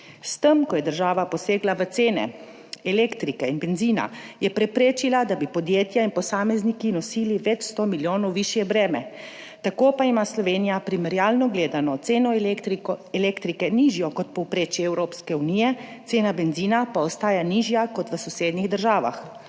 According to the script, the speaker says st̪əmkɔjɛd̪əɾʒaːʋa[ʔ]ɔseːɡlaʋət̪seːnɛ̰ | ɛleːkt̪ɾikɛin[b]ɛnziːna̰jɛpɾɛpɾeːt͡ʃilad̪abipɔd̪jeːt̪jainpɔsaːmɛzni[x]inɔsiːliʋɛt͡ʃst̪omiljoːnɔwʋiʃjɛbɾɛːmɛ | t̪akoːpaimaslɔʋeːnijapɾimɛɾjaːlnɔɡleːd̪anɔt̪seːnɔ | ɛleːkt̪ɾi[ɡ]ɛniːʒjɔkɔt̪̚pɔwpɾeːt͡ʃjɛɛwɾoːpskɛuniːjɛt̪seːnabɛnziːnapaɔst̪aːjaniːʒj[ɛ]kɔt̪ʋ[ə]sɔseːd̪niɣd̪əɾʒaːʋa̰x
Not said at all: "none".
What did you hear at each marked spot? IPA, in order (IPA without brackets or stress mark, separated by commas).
p, b, k, k, a, ə